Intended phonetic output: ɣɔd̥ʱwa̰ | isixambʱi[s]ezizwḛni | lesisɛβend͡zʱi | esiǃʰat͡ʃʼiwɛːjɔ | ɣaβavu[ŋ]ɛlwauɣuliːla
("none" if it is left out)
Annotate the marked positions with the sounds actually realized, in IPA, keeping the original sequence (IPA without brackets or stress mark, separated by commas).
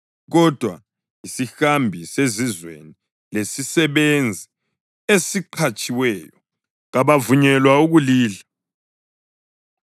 s, ɲ